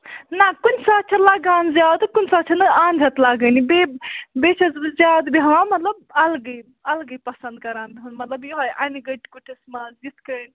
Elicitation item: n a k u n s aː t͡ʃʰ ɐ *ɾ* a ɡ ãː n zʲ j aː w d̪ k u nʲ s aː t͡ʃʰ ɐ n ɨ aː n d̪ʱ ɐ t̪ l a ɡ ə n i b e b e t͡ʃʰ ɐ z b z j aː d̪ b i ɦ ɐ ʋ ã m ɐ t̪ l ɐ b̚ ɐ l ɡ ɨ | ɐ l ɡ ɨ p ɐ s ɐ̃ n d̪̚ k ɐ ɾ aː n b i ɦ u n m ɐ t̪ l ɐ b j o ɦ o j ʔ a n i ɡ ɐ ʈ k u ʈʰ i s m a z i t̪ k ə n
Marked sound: incorrect: l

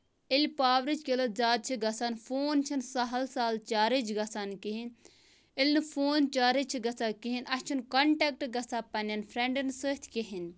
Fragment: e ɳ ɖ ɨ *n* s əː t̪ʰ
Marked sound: correct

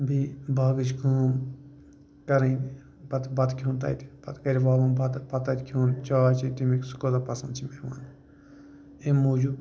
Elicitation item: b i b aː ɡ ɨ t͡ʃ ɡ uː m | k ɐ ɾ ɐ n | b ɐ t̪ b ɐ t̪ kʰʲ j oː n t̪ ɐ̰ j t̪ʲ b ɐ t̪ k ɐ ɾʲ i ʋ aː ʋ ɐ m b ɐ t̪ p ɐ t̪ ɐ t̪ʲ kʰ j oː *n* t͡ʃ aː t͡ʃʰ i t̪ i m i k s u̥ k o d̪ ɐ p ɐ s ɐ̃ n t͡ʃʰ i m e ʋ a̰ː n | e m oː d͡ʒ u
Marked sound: correct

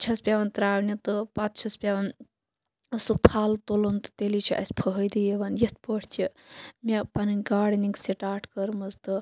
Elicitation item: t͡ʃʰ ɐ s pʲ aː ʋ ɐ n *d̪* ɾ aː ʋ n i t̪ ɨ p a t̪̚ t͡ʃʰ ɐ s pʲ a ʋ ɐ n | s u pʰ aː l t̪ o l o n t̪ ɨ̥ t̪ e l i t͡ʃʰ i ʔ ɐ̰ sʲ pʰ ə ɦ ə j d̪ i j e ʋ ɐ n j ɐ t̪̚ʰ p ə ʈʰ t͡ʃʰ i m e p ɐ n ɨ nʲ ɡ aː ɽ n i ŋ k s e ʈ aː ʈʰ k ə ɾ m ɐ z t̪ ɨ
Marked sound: incorrect: t̪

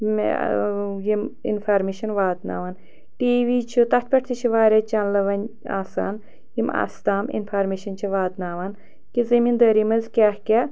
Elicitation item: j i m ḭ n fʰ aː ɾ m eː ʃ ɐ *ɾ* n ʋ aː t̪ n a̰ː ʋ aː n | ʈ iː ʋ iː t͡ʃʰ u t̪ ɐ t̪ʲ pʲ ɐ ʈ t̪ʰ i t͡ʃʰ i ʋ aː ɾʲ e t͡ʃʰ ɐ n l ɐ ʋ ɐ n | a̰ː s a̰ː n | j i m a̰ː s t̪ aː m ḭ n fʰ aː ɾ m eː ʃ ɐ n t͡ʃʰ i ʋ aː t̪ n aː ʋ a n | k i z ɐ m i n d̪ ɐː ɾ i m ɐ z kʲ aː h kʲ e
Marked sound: incorrect: none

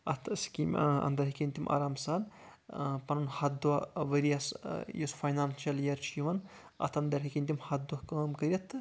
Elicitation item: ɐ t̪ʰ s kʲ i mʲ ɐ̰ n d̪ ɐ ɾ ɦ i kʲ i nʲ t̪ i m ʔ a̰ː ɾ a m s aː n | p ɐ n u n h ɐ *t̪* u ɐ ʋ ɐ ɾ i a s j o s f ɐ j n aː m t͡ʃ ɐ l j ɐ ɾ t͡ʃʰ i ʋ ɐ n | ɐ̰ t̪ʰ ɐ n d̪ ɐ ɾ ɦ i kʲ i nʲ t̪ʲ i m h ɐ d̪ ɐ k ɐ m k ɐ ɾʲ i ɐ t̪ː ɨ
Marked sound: incorrect: d̪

